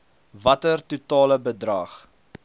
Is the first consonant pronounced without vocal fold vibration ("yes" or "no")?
no